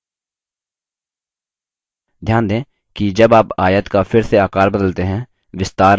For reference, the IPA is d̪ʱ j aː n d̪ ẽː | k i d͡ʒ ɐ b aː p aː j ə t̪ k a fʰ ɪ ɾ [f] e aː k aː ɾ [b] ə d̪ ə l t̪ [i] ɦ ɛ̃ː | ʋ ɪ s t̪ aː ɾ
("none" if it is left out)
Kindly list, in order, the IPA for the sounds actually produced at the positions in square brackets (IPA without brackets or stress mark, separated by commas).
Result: s, b, e